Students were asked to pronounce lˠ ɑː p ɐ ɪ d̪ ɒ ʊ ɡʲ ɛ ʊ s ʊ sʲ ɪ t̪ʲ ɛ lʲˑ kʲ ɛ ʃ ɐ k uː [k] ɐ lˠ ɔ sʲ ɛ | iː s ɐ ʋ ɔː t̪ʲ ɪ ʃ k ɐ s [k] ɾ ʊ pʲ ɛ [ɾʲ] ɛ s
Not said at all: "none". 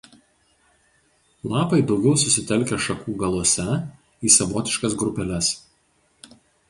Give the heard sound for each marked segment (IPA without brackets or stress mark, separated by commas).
ɡ, ɡ, lʲ